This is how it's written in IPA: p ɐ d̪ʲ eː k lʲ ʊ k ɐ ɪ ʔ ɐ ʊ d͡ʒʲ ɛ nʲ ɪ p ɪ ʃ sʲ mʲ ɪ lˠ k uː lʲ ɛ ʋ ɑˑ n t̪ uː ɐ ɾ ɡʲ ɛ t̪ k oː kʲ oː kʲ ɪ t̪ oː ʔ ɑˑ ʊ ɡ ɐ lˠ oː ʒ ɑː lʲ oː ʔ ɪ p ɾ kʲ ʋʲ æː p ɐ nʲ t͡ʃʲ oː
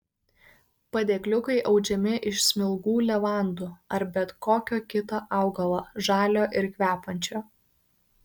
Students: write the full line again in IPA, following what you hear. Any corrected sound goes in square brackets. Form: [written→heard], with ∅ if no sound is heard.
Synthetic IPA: p ɐ d̪ʲ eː k lʲ ʊ k ɐ ɪ ʔ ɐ ʊ d͡ʒʲ ɛ [nʲ→mʲ] ɪ [p→ʔ] ɪ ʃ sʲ mʲ ɪ lˠ [k→ɡ] uː lʲ ɛ ʋ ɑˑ n [t̪→d̪] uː ɐ ɾ [ɡʲ→bʲ] ɛ t̪ k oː kʲ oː kʲ ɪ t̪ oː ʔ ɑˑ ʊ ɡ ɐ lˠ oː ʒ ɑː lʲ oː ʔ ɪ [p→∅] ɾ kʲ ʋʲ æː p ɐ nʲ t͡ʃʲ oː